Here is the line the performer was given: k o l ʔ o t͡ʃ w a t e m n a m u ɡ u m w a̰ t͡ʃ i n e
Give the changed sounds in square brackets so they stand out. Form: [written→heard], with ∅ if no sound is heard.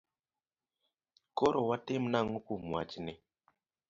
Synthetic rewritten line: k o [l→ɾ] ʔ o [t͡ʃ→∅] w a t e m n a [m→ŋ] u [ɡ→k] u m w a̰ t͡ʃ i n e